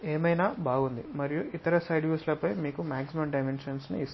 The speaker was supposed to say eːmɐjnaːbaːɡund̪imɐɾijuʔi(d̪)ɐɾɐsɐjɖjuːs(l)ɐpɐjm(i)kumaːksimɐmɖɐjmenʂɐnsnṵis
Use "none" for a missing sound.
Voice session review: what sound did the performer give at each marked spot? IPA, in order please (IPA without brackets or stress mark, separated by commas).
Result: t̪, l, iː